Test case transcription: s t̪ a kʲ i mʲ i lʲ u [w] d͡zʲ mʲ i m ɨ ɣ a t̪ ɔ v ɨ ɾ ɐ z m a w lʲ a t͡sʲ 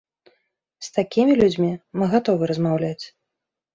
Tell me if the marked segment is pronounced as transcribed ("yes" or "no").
no